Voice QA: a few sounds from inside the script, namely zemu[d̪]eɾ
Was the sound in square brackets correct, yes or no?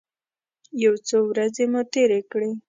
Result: no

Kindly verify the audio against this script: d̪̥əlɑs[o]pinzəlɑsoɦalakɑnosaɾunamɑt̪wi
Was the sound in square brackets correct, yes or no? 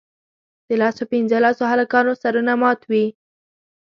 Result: yes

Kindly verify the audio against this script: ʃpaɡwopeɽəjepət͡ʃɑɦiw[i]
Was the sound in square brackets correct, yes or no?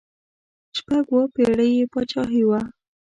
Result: no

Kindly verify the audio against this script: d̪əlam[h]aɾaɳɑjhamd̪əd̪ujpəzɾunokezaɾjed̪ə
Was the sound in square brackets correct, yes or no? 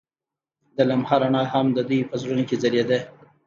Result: yes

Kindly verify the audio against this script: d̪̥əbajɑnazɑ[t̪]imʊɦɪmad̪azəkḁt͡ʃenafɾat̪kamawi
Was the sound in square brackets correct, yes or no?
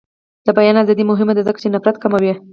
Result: no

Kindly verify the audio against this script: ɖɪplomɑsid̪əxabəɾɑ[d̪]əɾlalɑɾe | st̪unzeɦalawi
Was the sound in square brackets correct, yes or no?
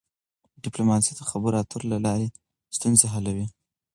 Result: no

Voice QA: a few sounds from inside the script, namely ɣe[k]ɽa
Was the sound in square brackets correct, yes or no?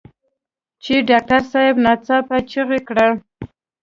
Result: yes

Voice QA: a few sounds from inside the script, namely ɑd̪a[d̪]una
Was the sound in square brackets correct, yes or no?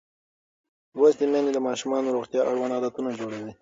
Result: no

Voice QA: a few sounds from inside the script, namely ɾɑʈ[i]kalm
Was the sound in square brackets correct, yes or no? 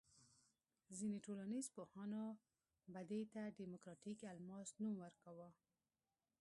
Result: yes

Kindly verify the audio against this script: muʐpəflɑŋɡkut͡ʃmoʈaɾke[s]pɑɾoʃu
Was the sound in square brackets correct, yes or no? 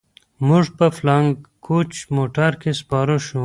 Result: yes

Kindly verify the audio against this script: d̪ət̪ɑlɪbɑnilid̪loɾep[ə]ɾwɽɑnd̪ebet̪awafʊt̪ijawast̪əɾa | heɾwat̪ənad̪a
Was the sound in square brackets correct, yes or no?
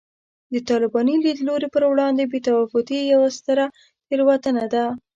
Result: yes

